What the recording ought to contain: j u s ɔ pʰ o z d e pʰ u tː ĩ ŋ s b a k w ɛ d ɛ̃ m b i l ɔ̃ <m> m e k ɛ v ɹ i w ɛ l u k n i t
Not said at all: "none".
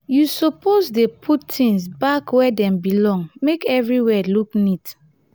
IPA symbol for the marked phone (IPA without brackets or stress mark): ŋ